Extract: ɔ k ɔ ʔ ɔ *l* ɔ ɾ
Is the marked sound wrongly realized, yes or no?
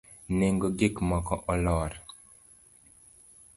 no